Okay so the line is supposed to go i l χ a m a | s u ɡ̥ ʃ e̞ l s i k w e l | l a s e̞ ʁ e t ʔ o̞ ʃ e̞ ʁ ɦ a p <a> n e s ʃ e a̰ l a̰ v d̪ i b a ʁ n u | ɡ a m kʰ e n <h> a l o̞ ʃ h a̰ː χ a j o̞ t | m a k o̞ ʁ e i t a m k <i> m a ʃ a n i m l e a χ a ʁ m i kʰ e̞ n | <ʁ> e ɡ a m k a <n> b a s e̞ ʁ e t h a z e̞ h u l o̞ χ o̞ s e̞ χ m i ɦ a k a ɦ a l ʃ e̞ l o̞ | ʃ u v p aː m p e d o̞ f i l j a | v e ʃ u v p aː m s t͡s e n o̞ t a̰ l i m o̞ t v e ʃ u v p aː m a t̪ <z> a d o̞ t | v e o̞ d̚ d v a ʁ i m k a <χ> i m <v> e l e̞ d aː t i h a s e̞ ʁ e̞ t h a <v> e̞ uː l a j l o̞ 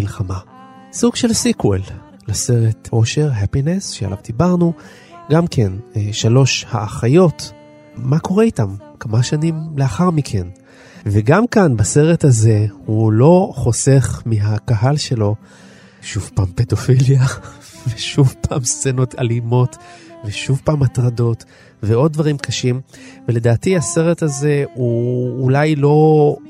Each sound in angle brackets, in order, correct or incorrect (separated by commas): incorrect, incorrect, incorrect, incorrect, correct, incorrect, incorrect, correct, incorrect